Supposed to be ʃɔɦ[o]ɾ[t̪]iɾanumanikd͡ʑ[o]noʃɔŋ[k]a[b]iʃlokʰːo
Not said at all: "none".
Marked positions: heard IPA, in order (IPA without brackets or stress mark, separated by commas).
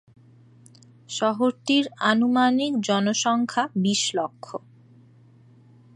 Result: o, t̪, ɔ, kʰ, b